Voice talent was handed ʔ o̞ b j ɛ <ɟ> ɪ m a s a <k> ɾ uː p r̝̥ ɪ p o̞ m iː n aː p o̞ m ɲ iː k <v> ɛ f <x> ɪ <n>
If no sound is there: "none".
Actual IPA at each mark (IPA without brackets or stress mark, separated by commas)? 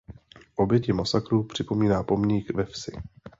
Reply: c, k, v, s, none